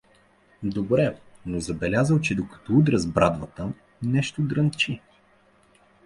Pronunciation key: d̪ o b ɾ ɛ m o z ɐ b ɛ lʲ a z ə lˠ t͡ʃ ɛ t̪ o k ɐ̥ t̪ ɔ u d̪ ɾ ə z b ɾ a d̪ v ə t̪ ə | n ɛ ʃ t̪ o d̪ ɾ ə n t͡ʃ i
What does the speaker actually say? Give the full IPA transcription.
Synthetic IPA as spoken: d̪ o b ɾ ɛ n o z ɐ b ɛ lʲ a z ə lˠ t͡ʃ ɛ d̪ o k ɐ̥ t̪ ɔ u d̪ ɾ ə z b ɾ a d̪ v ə t̪ ə | n ɛ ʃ t̪ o d̪ ɾ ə n t͡ʃ i